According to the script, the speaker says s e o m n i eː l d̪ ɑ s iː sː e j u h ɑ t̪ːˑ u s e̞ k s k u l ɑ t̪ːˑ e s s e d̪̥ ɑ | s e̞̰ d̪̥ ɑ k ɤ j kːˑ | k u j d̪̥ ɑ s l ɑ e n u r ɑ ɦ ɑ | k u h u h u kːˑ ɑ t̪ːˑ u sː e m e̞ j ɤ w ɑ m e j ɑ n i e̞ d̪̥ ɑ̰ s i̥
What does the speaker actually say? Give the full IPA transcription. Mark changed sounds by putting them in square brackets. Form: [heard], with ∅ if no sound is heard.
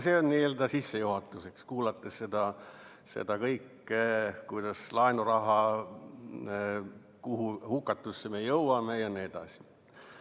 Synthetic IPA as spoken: s e o [n] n i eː l d̪ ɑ s [i] sː e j u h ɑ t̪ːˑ u s e̞ k s k [uː] l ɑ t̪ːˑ e s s e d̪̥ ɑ | s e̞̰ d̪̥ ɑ k ɤ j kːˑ | k u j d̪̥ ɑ s l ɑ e n u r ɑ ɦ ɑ | k u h u h u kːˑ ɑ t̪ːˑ u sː e m e̞ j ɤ w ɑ m e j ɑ n i e̞ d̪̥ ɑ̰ s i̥